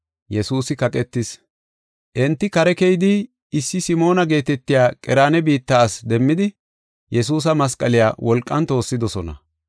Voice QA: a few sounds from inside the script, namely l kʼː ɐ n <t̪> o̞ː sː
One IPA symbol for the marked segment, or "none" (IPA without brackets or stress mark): t̪